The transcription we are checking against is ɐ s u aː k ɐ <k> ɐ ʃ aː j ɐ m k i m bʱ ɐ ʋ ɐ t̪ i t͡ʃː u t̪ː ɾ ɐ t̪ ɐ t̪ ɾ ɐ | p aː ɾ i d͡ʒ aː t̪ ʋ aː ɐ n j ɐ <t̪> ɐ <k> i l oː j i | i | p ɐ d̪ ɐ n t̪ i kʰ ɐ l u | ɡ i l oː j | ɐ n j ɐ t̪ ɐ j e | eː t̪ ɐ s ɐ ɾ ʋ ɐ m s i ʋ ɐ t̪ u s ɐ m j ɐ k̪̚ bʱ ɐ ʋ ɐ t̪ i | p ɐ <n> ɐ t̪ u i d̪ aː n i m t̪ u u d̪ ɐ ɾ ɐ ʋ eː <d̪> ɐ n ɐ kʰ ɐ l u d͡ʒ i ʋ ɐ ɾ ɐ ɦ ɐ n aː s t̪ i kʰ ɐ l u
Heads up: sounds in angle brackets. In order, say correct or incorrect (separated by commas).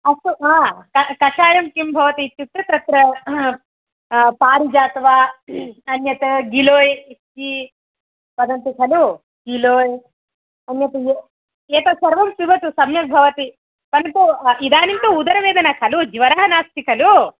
correct, correct, incorrect, correct, correct